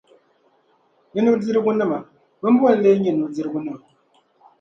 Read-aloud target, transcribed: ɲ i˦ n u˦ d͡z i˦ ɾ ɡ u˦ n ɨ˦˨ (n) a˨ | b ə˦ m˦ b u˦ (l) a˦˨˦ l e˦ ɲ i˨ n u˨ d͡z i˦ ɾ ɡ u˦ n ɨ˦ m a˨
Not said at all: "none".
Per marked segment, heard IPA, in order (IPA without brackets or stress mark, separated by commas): m, none